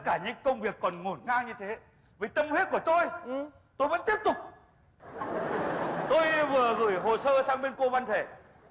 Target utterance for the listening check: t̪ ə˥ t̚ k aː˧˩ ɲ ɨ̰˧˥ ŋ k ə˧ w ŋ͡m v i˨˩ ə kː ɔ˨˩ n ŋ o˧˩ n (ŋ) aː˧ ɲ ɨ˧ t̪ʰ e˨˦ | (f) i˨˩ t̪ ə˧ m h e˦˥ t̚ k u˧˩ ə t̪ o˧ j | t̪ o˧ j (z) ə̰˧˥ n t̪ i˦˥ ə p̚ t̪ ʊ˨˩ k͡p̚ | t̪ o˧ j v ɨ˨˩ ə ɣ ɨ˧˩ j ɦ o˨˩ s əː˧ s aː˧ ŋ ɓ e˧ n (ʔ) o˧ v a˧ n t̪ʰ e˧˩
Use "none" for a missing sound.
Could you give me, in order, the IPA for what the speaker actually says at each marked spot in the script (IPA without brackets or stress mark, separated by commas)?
ŋ, v, v, k